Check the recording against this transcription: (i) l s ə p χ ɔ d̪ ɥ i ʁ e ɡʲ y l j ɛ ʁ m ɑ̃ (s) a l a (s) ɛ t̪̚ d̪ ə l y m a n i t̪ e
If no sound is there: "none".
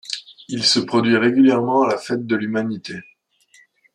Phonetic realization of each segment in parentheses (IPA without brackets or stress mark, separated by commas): i, none, f